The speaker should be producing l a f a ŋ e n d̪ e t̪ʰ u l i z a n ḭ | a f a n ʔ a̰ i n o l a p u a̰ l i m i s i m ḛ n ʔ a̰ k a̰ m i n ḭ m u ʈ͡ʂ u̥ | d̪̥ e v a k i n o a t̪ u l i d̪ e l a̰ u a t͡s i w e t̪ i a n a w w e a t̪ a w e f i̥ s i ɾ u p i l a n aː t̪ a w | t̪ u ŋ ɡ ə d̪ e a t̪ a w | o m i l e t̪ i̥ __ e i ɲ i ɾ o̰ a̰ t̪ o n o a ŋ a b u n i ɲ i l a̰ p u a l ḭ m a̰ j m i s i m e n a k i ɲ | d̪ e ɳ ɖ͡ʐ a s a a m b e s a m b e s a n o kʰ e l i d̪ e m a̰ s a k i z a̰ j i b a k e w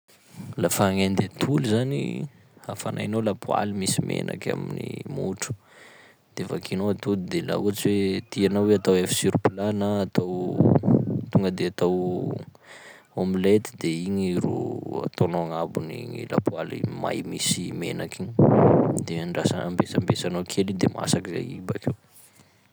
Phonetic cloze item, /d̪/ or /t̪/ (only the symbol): d̪